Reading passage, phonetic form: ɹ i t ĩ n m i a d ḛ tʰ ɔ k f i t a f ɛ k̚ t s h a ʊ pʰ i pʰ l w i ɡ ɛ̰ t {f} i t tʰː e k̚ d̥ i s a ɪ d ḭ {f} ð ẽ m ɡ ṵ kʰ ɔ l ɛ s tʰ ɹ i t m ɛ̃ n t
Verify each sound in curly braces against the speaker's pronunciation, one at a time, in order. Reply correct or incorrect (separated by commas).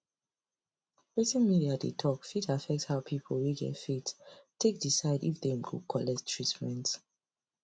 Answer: correct, correct